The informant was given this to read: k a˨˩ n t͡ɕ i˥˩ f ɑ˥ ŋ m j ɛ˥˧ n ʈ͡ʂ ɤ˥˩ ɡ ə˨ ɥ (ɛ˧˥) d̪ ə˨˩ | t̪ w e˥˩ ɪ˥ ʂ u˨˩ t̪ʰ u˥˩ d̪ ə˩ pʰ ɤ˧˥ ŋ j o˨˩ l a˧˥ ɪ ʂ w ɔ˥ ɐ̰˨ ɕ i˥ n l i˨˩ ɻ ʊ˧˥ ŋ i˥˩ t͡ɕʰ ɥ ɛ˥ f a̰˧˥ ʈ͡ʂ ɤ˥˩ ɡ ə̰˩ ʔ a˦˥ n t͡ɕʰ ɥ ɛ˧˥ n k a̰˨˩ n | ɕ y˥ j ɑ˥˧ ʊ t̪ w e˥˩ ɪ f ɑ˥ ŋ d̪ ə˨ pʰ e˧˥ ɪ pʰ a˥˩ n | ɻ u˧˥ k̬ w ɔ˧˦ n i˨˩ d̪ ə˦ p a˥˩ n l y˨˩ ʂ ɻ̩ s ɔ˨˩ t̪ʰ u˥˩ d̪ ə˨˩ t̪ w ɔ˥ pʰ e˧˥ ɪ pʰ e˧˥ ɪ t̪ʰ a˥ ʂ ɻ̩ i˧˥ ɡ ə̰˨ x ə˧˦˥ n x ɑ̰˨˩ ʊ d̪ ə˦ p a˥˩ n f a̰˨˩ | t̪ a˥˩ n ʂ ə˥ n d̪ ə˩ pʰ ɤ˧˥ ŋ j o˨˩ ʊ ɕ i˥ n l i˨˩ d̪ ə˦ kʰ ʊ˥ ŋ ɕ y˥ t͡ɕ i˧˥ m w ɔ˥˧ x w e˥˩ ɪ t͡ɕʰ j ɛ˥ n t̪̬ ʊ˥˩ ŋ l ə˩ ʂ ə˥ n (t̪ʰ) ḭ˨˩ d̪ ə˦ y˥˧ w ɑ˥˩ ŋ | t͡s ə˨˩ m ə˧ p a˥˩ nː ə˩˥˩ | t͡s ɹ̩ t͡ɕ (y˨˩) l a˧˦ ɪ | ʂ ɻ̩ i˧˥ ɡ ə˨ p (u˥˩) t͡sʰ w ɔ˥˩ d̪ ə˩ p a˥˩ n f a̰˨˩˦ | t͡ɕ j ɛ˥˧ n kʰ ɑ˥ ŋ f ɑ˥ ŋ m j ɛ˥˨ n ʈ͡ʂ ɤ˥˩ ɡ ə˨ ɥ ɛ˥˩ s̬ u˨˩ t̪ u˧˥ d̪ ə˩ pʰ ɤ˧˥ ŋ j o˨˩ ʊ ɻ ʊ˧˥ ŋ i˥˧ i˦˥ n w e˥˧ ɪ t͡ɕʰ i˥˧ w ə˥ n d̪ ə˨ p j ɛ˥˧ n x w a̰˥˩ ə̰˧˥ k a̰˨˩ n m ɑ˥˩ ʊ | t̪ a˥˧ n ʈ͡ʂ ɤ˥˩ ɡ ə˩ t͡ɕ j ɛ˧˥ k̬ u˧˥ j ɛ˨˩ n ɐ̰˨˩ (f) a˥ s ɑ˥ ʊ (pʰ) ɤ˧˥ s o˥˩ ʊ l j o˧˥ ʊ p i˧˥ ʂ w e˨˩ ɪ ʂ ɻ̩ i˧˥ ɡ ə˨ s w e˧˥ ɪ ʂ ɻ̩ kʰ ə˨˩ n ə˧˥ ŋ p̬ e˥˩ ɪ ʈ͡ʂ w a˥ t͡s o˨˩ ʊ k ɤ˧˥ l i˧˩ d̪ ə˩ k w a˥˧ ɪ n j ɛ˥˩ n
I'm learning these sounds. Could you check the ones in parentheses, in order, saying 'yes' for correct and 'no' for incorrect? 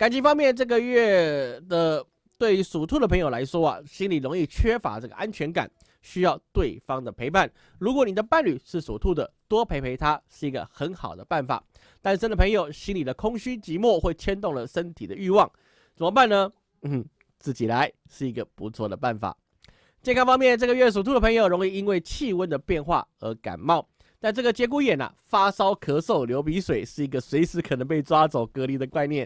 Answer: no, yes, no, no, yes, no

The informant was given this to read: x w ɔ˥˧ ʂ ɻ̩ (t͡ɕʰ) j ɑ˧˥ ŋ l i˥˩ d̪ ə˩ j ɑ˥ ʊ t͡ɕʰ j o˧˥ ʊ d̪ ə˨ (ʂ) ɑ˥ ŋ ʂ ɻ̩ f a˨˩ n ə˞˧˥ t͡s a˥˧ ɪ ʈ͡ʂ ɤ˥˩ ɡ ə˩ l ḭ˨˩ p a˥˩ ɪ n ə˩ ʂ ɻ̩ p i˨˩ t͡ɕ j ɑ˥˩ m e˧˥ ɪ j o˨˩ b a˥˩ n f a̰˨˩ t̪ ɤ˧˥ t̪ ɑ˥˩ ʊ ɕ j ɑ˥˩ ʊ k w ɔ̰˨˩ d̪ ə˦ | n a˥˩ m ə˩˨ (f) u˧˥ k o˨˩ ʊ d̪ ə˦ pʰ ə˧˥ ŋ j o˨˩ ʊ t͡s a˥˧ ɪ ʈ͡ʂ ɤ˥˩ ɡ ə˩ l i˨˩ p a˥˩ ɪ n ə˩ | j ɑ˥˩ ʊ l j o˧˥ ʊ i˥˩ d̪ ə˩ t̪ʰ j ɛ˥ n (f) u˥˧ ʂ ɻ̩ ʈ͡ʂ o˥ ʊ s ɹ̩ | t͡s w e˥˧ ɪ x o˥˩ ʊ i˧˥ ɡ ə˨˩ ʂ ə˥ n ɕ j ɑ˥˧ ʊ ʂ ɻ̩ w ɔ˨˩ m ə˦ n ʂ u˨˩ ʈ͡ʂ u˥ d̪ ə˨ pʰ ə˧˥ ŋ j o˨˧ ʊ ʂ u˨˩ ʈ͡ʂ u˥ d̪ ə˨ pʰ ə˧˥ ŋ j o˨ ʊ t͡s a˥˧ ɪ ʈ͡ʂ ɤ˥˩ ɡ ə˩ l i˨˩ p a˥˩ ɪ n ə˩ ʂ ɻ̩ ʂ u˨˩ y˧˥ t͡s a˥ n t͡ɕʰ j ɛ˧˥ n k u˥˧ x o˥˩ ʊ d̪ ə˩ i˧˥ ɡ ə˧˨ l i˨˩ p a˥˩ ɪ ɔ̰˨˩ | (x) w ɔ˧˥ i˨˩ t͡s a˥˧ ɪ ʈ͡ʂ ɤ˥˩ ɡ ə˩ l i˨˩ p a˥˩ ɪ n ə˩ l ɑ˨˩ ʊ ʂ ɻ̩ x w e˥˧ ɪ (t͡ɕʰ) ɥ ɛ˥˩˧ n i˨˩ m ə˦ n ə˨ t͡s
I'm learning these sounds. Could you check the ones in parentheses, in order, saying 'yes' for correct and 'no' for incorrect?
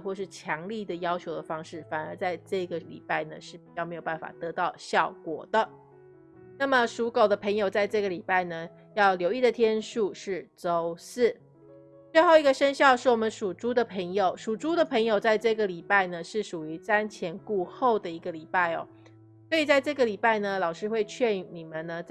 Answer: yes, no, no, no, no, yes

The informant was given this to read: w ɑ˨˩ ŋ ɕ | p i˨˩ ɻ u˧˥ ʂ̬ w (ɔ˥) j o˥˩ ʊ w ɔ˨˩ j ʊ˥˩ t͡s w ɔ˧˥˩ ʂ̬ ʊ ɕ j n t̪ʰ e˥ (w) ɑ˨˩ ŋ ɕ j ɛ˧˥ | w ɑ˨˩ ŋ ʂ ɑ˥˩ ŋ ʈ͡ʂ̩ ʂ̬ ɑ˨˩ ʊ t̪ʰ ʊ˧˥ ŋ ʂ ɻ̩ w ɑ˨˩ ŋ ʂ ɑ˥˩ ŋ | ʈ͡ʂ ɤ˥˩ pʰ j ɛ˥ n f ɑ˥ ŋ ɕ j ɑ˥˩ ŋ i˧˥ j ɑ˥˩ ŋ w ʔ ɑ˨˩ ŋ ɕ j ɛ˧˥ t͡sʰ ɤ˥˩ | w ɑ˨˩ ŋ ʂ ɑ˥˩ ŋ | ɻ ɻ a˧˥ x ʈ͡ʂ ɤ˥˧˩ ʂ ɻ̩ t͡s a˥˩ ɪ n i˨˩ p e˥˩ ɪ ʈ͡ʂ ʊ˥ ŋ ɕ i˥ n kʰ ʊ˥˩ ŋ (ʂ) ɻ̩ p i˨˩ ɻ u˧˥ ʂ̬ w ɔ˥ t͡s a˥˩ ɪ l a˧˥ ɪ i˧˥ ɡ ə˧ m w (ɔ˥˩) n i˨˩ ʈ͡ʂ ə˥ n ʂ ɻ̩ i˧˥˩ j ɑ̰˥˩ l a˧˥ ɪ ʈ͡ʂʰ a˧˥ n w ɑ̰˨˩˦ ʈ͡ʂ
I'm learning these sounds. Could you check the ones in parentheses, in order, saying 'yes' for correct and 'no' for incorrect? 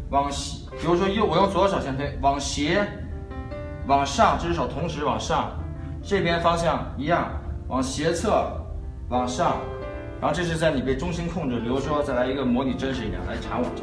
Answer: yes, yes, no, no

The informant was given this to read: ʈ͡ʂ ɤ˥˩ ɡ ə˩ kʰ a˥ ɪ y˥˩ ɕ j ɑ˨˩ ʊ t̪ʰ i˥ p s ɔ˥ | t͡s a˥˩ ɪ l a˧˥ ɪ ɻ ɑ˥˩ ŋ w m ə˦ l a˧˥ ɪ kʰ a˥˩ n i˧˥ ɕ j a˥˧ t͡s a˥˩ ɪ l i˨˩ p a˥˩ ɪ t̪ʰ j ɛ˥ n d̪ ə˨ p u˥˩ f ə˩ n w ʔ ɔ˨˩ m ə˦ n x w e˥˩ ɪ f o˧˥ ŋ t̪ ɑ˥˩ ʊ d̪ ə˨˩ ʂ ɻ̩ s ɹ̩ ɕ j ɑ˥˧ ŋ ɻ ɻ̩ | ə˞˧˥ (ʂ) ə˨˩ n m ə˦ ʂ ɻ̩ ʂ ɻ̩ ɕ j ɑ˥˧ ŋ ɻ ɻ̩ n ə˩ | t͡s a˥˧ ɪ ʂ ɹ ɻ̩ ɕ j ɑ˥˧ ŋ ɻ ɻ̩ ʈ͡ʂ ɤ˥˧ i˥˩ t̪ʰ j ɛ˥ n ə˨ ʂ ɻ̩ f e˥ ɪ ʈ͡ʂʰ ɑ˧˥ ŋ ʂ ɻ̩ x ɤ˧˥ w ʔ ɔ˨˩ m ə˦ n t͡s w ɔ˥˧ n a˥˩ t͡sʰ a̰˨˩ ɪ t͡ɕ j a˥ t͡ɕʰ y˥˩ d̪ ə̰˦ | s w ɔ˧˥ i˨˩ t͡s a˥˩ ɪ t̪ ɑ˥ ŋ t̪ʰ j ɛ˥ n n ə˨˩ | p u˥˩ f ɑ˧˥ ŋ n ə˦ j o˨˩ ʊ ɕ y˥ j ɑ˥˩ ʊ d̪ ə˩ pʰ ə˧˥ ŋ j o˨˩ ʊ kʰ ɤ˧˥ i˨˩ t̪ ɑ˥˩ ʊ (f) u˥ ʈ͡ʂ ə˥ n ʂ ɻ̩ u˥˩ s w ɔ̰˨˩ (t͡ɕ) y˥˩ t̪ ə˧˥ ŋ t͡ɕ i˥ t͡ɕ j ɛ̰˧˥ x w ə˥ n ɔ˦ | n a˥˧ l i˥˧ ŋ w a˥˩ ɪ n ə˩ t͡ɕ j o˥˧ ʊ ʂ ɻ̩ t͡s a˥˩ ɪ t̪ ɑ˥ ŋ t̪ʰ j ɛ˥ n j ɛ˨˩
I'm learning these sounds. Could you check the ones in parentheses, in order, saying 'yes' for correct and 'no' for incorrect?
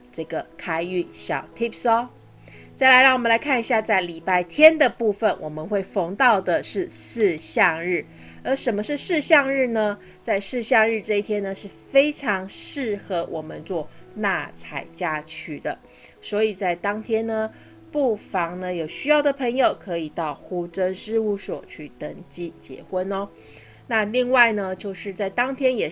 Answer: yes, no, no

